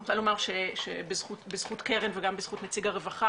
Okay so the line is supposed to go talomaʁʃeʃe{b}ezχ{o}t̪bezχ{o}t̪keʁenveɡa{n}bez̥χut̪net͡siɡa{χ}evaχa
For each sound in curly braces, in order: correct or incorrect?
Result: correct, incorrect: u, incorrect: u, incorrect: m, incorrect: ʁ

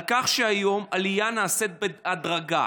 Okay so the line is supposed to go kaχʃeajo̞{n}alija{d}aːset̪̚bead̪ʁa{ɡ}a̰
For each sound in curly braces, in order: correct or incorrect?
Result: incorrect: m, incorrect: n, correct

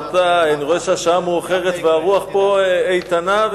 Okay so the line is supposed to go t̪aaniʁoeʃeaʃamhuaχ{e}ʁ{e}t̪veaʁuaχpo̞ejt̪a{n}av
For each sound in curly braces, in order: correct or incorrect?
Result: correct, correct, correct

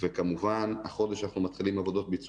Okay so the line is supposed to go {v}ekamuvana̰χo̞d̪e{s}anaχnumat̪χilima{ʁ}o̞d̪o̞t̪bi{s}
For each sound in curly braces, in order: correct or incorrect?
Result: correct, incorrect: ʃ, incorrect: v, incorrect: t͡s

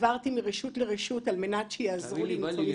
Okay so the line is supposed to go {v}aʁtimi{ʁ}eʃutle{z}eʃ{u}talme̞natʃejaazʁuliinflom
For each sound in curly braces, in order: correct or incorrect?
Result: correct, correct, incorrect: ʁ, correct

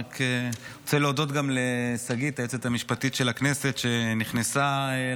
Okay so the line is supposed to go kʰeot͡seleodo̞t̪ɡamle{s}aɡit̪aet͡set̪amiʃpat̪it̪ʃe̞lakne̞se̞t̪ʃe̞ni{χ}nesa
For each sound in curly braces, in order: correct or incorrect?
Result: correct, correct

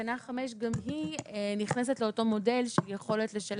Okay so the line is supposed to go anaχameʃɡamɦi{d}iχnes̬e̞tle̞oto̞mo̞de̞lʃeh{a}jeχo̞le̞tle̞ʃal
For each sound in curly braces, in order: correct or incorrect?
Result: incorrect: n, incorrect: i

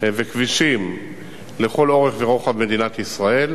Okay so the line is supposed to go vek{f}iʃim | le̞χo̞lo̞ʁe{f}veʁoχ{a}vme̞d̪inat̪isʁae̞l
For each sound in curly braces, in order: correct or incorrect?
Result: incorrect: v, incorrect: χ, correct

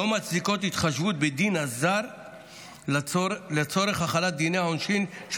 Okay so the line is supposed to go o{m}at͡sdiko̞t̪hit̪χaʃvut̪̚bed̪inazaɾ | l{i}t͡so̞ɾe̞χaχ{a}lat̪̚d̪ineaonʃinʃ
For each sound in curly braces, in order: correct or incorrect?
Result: correct, incorrect: e, correct

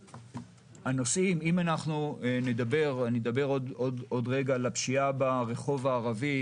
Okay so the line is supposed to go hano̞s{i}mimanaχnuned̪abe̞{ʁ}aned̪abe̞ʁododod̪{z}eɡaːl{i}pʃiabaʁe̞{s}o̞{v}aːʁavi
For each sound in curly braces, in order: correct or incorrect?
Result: correct, correct, incorrect: ʁ, incorrect: a, incorrect: χ, correct

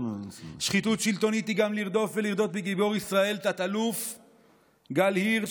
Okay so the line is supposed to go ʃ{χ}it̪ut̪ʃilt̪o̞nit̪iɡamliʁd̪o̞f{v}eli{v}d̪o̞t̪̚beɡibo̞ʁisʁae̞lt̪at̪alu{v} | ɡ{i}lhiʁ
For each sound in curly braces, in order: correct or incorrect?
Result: correct, correct, incorrect: ʁ, incorrect: f, incorrect: a

